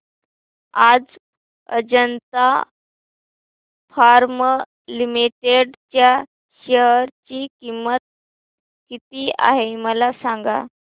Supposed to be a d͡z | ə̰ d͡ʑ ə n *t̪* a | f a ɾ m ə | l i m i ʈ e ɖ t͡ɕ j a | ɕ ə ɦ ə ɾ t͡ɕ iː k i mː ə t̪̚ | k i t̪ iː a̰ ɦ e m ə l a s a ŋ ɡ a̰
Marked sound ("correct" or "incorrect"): correct